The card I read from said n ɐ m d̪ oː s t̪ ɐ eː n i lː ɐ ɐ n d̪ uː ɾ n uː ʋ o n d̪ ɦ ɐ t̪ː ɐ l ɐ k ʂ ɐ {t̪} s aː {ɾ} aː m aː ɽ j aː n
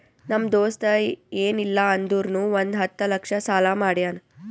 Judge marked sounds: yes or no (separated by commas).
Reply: no, no